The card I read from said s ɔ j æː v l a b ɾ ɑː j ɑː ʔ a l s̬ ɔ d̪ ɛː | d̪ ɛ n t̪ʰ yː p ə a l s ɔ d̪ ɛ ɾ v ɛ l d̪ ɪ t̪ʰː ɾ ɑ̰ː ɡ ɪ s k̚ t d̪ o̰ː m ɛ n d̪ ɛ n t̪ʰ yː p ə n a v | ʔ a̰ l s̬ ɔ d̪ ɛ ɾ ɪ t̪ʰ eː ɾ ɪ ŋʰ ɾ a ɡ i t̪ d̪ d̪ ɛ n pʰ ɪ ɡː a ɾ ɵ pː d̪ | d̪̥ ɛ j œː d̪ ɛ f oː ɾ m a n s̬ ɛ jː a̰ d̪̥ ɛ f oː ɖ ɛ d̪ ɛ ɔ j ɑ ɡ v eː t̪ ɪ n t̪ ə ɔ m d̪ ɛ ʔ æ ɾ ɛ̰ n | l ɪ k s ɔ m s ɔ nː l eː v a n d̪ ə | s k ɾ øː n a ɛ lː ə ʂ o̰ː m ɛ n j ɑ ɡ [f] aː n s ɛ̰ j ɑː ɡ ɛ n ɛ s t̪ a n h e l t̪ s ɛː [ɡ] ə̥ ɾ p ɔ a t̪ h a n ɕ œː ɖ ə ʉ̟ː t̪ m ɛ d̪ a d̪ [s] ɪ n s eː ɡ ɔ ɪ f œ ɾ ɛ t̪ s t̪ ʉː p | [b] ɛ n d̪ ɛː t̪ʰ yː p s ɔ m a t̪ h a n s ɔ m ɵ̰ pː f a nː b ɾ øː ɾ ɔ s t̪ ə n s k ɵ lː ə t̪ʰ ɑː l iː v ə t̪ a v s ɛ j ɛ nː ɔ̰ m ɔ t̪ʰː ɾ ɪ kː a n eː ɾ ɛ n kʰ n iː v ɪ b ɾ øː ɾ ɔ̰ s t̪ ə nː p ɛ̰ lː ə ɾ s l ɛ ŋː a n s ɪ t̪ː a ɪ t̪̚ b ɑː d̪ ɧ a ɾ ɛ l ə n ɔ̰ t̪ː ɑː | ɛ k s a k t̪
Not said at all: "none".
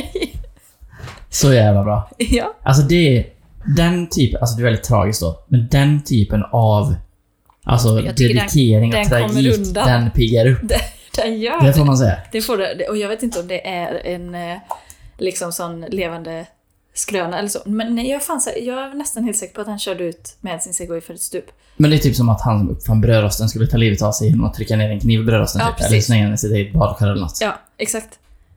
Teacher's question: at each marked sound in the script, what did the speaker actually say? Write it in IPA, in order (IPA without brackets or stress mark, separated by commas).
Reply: f, k, s, m